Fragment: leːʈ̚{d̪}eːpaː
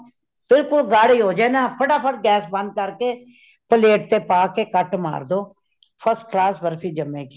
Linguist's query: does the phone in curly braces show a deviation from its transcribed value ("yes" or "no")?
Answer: yes